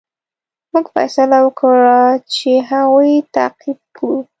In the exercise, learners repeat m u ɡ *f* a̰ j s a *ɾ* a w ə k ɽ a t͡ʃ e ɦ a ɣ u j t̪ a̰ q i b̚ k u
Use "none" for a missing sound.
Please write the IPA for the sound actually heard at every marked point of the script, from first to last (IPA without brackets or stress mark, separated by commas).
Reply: f, l